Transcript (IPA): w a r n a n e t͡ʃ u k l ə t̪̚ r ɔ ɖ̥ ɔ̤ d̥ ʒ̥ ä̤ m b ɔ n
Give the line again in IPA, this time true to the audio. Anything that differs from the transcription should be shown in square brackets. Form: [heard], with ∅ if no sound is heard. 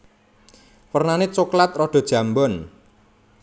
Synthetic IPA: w [ə] r n a n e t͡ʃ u k l [a] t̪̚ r ɔ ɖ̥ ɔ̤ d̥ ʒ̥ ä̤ m b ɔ n